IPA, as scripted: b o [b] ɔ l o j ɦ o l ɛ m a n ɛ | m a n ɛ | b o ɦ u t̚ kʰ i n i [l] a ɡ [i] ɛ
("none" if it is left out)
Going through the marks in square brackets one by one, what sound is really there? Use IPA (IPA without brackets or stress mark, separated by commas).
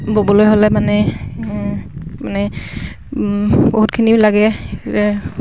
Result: b, l, ɛ